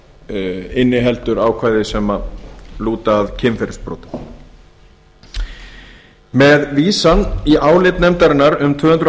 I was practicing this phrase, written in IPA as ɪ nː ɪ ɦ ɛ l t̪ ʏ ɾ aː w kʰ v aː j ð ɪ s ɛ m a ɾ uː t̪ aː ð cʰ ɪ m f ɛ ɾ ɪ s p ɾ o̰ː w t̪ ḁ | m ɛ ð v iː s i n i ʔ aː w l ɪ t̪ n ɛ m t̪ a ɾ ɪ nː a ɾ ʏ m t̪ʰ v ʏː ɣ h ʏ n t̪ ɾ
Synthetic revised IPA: ɪ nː ɪ ɦ ɛ l t̪ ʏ ɾ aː w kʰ v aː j ð ɪ s ɛ m a l uː t̪ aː ð cʰ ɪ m f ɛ ɾ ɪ s p ɾ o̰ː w t̪ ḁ | m ɛ ð v iː s a n i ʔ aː w l ɪ t̪ n ɛ m t̪ a ɾ ɪ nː a ɾ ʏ m t̪ʰ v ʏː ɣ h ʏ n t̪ ɾ